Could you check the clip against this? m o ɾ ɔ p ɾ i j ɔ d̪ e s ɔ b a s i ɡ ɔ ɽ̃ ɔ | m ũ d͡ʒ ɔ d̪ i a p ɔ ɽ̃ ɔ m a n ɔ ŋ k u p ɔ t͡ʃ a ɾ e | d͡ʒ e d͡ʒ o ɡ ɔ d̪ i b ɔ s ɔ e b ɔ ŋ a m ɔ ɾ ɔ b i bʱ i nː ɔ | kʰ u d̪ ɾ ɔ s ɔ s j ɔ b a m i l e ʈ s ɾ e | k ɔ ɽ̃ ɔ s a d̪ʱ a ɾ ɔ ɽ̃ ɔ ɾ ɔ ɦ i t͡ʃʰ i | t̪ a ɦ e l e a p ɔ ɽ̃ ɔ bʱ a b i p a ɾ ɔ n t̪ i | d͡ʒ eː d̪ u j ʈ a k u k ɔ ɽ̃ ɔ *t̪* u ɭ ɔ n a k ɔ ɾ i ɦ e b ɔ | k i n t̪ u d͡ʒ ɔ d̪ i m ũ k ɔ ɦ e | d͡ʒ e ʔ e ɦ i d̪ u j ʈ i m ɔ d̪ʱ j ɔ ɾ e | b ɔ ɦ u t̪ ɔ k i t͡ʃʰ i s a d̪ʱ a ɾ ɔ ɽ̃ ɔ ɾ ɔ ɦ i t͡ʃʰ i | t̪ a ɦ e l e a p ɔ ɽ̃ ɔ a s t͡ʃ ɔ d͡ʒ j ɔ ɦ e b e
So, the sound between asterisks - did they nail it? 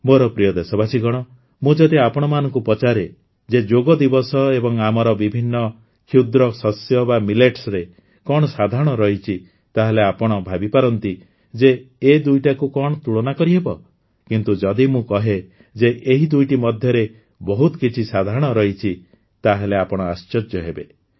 yes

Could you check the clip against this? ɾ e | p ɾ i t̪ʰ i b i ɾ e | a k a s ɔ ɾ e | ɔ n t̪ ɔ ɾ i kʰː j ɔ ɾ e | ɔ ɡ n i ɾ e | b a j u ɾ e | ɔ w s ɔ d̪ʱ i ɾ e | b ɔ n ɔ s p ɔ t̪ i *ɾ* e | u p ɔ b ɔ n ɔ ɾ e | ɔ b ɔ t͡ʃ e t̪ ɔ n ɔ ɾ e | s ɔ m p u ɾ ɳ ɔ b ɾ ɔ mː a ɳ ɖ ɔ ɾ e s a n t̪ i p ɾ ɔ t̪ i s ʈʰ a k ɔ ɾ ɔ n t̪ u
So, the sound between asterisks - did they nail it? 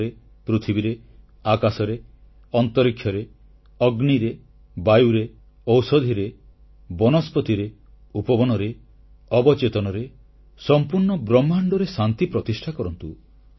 yes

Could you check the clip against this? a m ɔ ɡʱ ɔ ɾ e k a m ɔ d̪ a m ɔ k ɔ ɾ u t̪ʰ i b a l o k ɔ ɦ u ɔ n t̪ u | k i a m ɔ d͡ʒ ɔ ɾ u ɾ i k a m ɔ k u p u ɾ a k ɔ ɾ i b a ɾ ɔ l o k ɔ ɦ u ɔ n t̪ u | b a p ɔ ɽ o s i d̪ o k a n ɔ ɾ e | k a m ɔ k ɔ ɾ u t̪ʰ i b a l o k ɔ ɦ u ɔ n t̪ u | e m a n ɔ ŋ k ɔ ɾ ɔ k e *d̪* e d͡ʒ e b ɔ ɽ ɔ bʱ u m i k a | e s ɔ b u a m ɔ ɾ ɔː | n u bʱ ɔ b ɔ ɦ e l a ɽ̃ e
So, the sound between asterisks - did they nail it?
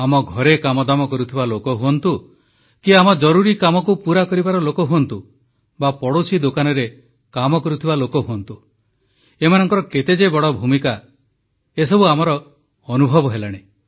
no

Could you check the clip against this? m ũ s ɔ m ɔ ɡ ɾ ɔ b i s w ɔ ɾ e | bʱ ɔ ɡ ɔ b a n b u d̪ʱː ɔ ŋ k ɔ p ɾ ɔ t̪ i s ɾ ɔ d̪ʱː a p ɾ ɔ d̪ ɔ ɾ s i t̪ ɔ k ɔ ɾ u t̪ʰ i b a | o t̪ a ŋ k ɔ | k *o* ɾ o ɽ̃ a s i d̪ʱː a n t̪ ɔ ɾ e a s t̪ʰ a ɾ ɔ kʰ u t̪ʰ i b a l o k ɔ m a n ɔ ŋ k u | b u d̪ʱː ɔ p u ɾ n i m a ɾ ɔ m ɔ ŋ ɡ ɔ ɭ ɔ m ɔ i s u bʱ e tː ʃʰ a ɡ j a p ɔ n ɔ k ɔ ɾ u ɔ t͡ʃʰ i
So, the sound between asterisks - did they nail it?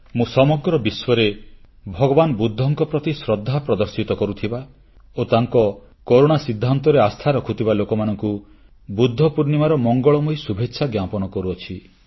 yes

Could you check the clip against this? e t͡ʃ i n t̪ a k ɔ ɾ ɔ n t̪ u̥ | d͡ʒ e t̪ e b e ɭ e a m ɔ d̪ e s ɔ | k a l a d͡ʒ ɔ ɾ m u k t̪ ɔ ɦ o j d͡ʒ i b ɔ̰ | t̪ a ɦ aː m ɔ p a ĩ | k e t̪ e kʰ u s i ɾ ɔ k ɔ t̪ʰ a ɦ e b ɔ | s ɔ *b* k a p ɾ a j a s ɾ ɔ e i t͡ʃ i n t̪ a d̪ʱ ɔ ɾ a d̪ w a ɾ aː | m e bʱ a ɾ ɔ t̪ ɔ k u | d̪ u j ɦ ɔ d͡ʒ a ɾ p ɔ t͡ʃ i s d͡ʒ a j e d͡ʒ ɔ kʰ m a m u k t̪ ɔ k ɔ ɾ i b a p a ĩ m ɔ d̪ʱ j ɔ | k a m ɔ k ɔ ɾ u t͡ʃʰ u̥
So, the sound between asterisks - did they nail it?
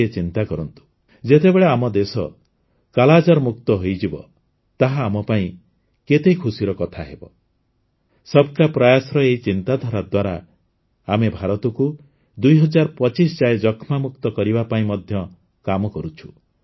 yes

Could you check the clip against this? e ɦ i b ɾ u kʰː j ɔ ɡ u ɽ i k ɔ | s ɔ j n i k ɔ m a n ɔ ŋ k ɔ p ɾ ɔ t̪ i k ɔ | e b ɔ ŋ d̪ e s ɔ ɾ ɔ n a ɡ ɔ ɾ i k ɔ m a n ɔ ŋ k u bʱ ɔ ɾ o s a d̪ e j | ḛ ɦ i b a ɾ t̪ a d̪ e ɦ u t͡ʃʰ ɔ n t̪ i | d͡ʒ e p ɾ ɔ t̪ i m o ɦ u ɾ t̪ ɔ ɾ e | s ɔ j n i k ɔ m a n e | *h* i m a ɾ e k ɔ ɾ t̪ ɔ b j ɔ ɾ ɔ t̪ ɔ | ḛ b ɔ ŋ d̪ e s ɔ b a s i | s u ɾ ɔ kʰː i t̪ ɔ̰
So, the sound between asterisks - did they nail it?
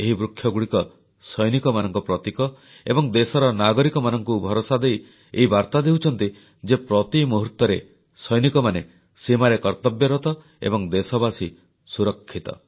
no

